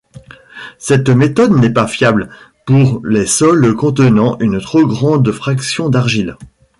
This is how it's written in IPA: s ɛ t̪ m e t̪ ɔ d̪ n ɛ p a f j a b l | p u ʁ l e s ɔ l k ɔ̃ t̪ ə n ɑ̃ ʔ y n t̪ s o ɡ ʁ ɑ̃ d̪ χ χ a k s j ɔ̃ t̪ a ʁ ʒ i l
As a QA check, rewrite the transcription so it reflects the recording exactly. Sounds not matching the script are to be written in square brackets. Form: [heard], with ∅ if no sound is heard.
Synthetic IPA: s ɛ t̪ m e t̪ ɔ d̪ n ɛ p a f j a b l | p u ʁ l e s ɔ l k ɔ̃ t̪ ə n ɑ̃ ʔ y n t̪ [χ] o ɡ ʁ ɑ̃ d̪ [f] χ a k s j ɔ̃ [d̪] a ʁ ʒ i l